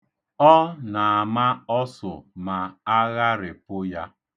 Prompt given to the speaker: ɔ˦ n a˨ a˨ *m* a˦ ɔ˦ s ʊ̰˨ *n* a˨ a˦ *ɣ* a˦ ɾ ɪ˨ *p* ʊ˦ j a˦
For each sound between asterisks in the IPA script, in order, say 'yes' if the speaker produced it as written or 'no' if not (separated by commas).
yes, no, yes, yes